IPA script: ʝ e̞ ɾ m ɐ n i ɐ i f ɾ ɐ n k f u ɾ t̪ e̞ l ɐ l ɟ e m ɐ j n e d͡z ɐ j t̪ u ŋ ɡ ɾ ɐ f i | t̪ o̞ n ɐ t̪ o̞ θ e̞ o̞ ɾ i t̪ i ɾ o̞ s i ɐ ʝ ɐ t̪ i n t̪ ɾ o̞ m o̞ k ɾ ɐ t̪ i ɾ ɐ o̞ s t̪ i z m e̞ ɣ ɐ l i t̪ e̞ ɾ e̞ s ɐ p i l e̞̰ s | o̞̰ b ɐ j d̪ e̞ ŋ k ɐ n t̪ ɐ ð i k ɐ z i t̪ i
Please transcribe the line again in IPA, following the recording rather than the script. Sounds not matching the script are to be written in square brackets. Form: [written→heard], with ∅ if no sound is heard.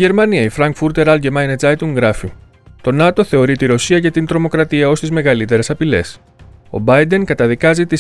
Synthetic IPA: ʝ e̞ ɾ m ɐ n i ɐ i f ɾ ɐ [n→ŋ] k f u ɾ t̪ e̞ [l→ɾ] ɐ l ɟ e m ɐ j n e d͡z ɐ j t̪ u ŋ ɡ ɾ ɐ f i | t̪ o̞ n ɐ t̪ o̞ θ e̞ o̞ ɾ i t̪ i ɾ o̞ s i ɐ ʝ ɐ t̪ i n t̪ ɾ o̞ m o̞ k ɾ ɐ t̪ i [ɾ→∅] ɐ o̞ s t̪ i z m e̞ ɣ ɐ l i t̪ e̞ ɾ e̞ s ɐ p i l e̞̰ s | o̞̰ b ɐ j d̪ e̞ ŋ k ɐ [n→∅] t̪ ɐ ð i k ɐ z i t̪ i